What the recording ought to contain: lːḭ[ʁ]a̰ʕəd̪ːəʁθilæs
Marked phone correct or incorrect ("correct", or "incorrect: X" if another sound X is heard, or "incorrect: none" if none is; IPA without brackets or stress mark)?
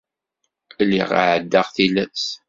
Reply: correct